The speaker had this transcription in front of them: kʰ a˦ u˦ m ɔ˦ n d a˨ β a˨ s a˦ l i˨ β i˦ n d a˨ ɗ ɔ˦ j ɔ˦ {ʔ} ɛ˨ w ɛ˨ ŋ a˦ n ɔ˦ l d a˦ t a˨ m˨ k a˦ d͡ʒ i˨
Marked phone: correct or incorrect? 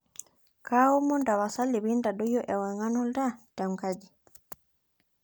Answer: correct